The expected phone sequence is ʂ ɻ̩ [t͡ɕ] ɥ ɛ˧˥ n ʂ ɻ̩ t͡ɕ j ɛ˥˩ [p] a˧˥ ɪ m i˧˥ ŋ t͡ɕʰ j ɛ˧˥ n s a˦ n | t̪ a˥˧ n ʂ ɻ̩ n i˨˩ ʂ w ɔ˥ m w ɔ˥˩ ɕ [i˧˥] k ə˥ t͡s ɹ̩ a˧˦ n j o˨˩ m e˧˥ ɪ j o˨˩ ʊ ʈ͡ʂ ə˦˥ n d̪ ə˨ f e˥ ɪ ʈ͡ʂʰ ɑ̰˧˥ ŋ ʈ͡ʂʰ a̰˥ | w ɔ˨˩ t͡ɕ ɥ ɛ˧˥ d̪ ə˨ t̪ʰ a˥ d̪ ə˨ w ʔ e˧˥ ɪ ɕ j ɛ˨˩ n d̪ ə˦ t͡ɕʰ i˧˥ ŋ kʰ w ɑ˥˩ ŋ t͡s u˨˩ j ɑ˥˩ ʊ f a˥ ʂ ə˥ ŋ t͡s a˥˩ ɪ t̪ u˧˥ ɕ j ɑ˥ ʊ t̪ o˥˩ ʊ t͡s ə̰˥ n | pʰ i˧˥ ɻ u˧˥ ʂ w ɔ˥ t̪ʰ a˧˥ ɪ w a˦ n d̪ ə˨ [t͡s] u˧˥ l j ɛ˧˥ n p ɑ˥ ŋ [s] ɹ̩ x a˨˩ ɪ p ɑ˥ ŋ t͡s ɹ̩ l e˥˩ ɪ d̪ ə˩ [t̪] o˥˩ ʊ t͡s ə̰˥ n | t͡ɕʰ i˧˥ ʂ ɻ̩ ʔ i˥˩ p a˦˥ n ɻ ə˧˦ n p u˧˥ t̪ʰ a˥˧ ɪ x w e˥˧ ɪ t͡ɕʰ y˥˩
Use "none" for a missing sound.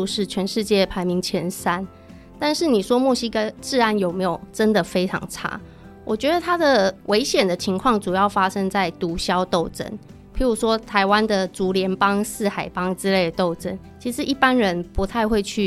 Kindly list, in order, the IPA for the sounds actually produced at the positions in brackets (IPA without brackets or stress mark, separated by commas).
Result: t͡ɕʰ, pʰ, i˥, t͡s, s, t̪